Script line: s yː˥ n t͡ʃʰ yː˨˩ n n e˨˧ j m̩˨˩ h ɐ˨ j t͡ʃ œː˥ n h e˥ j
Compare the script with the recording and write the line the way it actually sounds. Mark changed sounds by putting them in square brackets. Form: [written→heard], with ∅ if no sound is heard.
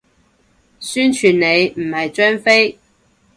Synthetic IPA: s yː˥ n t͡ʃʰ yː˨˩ n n e˨˧ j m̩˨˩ h ɐ˨ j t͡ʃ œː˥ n [h→f] e˥ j

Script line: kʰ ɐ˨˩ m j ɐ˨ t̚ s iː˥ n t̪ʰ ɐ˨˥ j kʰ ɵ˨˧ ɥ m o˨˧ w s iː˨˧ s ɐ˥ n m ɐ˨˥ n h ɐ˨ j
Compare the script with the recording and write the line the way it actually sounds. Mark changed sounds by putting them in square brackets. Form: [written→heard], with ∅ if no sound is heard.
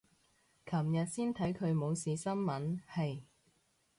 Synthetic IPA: kʰ ɐ˨˩ m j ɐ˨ t̚ s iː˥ n t̪ʰ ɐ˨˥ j kʰ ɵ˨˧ ɥ m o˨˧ w s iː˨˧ s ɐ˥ n m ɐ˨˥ n h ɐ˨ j

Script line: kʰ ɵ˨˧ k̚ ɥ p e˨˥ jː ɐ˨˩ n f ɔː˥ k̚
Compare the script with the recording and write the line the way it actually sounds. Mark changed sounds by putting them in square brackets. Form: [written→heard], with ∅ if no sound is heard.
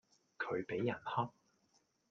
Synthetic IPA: kʰ ɵ˨˧ [k̚→∅] ɥ p e˨˥ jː ɐ˨˩ n [f→h] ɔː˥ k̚

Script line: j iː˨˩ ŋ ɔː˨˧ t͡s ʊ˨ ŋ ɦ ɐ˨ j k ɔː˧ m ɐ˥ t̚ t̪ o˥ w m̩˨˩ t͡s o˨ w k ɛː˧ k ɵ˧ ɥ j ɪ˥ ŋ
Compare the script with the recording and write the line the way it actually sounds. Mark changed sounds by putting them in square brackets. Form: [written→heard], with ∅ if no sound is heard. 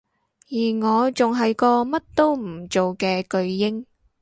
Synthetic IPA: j iː˨˩ ŋ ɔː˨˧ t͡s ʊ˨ ŋ ɦ ɐ˨ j k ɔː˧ m ɐ˥ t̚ t̪ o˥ w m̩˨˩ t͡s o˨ w k ɛː˧ k ɵ˧ ɥ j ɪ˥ ŋ

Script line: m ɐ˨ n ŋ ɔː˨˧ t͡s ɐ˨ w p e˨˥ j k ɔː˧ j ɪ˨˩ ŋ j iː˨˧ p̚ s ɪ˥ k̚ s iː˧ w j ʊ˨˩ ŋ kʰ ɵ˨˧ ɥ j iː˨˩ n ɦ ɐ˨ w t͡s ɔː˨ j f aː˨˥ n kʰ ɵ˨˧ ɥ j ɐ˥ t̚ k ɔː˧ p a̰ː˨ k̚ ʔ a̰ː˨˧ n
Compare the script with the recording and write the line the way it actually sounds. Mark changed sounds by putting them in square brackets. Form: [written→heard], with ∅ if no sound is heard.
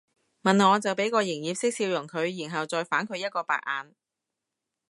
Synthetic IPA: m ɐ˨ n ŋ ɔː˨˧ t͡s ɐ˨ w p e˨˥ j k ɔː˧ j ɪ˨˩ ŋ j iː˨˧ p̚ s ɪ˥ k̚ s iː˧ w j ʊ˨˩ ŋ kʰ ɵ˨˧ ɥ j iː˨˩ n ɦ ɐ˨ w t͡s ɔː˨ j f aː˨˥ n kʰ ɵ˨˧ ɥ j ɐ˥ t̚ k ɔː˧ p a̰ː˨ k̚ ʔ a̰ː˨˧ n

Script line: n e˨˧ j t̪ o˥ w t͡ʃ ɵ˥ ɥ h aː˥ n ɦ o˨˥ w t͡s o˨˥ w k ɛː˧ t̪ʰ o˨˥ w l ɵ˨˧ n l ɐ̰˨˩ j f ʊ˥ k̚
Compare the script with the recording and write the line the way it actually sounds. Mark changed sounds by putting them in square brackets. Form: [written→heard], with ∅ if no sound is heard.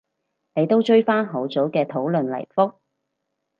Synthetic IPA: n e˨˧ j t̪ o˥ w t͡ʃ ɵ˥ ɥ [h→f] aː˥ n ɦ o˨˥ w t͡s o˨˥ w k ɛː˧ t̪ʰ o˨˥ w l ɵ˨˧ n l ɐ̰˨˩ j f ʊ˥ k̚

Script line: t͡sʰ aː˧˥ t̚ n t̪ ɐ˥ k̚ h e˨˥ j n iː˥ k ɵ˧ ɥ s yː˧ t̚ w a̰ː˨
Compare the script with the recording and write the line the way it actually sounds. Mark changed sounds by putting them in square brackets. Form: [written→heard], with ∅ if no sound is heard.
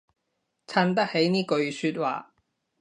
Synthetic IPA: t͡sʰ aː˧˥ [t̚→∅] n t̪ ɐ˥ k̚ h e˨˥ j n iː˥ k ɵ˧ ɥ s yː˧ t̚ w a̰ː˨

